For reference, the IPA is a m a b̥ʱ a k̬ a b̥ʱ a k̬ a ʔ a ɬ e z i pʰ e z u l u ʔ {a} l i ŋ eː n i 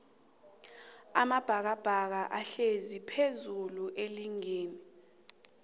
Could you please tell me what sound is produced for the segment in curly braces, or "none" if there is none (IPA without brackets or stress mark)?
e